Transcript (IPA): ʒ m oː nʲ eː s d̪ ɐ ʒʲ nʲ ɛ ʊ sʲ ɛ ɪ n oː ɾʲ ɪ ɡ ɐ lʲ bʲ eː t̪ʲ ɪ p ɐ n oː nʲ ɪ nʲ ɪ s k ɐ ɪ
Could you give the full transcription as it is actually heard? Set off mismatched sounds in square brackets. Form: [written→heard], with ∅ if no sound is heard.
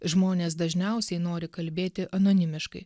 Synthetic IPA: ʒ m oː nʲ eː s d̪ ɐ ʒʲ nʲ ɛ ʊ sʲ ɛ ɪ n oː ɾʲ ɪ [ɡ→k] ɐ lʲ bʲ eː t̪ʲ ɪ [p→ʔ] ɐ n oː nʲ ɪ [nʲ→mʲ] ɪ [s→ʃ] k ɐ ɪ